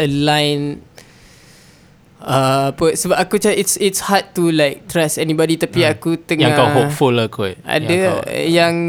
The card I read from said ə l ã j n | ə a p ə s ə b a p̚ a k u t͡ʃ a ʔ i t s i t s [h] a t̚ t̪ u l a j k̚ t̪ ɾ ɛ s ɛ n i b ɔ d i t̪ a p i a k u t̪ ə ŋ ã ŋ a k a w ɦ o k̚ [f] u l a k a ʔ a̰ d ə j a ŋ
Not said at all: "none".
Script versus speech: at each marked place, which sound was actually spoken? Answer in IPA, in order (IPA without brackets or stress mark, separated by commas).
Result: h, f